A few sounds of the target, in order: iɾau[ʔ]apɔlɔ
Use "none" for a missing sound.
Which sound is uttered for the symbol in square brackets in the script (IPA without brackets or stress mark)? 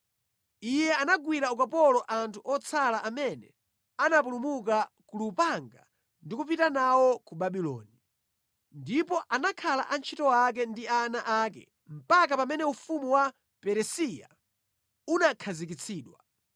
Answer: k